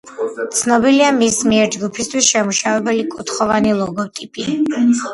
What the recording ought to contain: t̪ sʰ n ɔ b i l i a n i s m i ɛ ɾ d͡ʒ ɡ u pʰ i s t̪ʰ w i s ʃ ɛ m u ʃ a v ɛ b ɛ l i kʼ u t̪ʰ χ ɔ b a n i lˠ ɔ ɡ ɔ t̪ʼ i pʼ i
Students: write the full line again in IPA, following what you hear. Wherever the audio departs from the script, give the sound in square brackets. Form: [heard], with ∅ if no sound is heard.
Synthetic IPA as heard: t̪ sʰ n ɔ b i l i a [m] i s m i ɛ ɾ d͡ʒ ɡ u pʰ i s t̪ʰ w i s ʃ ɛ m u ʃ a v ɛ b ɛ l i kʼ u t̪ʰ χ ɔ [v] a n i lˠ ɔ ɡ ɔ t̪ʼ i pʼ i